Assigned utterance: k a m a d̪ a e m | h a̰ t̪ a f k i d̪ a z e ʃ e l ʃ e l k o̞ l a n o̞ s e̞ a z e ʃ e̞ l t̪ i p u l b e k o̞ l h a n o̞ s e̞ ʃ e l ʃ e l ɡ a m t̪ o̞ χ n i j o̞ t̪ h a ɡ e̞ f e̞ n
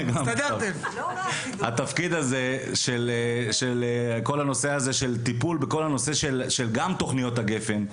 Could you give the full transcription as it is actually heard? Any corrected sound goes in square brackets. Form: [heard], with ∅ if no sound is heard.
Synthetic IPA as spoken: [ɡ] a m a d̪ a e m | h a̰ t̪ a f k i d̪ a z e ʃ e l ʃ e l k o̞ l a n o̞ s e̞ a z e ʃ e̞ l t̪ i p u l b e k o̞ l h a n o̞ s e̞ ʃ e l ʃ e l ɡ a m t̪ o̞ χ n i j o̞ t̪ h a ɡ e̞ f e̞ n